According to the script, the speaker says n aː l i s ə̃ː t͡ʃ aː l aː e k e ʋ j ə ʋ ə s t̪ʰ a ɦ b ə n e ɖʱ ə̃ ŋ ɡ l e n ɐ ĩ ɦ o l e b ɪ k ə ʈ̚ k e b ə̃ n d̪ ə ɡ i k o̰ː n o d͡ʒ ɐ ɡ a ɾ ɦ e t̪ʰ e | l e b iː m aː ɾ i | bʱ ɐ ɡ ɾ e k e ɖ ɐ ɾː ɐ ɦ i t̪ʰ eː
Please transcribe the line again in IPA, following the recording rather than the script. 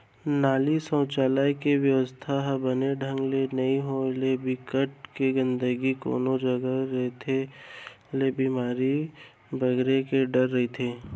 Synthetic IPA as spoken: n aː l i s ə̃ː t͡ʃ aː l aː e k e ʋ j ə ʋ ə s t̪ʰ a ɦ b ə n e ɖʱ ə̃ ŋ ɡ l e n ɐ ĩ ɦ o l e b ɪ k ə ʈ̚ k e ɡ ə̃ n d̪ ə ɡ i k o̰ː n o d͡ʒ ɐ ɡ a ɾ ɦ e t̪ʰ e | l e b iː m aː ɾ i | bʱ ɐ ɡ ɾ e k e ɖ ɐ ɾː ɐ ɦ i t̪ʰ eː